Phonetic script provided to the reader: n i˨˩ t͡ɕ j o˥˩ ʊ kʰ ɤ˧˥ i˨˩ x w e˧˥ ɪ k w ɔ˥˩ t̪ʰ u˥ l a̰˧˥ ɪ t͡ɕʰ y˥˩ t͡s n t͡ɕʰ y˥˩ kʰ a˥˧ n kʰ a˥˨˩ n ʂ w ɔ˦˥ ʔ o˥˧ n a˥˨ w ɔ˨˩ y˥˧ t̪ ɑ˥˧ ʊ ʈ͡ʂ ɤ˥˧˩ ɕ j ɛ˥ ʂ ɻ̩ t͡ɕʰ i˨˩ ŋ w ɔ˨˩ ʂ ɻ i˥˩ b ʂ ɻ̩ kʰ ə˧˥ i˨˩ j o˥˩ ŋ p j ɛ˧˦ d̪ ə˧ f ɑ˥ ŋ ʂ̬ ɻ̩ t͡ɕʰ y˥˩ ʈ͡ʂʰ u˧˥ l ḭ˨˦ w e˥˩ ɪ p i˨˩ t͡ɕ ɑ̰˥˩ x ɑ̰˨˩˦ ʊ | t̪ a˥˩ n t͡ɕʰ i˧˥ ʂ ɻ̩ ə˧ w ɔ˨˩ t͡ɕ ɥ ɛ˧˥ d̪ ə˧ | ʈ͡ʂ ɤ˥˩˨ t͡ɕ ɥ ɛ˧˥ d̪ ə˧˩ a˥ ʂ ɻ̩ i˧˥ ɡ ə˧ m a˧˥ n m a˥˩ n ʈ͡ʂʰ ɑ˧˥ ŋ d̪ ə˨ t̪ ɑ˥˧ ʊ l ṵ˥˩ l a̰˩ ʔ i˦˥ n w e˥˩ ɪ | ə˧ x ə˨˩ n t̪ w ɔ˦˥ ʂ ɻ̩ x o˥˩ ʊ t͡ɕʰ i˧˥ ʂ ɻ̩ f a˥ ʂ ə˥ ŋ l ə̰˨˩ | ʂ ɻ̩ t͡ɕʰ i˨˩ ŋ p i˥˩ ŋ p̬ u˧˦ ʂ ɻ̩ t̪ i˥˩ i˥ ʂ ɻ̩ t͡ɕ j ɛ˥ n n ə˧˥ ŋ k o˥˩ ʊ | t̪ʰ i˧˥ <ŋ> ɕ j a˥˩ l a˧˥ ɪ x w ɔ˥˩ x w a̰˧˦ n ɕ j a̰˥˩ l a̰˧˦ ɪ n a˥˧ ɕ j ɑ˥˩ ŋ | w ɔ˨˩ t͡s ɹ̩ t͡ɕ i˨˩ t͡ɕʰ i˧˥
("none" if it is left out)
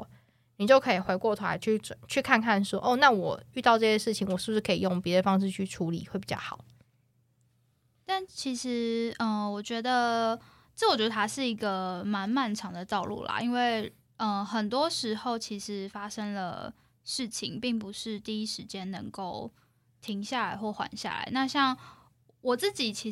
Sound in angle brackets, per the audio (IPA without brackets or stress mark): ŋ